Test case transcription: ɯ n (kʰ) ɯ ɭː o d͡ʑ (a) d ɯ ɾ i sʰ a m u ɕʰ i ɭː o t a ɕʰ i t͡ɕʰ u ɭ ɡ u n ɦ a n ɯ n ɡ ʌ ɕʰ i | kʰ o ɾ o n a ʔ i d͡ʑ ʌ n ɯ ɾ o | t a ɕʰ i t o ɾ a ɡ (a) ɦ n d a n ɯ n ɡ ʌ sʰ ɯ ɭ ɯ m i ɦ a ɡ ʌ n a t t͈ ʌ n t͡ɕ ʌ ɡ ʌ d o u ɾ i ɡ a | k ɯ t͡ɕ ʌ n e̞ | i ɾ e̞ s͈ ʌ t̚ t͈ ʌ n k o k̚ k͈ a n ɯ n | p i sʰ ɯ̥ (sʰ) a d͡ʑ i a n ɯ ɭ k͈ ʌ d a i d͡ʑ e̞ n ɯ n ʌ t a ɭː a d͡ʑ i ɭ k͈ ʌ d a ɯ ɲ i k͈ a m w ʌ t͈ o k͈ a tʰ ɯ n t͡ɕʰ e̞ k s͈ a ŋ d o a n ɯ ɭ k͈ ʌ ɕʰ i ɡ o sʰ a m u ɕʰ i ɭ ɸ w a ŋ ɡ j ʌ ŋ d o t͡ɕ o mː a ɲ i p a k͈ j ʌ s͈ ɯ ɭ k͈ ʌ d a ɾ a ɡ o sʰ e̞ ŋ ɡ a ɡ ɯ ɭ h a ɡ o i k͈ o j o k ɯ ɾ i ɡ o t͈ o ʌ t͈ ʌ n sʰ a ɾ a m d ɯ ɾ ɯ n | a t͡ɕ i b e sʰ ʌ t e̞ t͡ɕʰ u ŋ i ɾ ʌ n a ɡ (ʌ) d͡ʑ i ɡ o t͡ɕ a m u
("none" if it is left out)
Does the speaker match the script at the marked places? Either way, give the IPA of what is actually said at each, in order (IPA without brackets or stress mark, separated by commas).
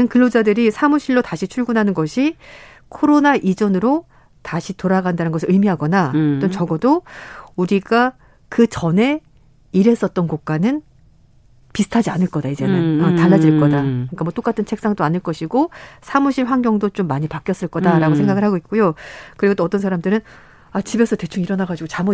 k, a, a, tʰ, a